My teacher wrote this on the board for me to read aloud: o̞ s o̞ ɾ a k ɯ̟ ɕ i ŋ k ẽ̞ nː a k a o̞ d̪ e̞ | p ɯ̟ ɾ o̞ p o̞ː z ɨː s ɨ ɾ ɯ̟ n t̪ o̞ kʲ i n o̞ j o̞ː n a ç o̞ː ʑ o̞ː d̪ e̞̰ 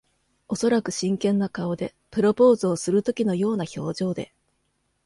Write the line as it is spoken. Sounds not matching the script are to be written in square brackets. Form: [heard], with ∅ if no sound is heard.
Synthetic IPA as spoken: o̞ s o̞ ɾ a k ɯ̟ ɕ [ĩ] ŋ k ẽ̞ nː a k a o̞ d̪ e̞ | p ɯ̟ ɾ o̞ p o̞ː z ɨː s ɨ ɾ ɯ̟ [∅] t̪ o̞ kʲ i n o̞ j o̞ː n a ç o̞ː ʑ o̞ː d̪ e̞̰